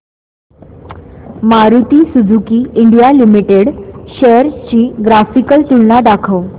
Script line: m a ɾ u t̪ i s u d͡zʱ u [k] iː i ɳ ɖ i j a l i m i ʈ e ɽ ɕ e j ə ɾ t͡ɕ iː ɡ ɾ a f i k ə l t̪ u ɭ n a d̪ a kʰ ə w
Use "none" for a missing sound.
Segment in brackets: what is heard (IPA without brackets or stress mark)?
k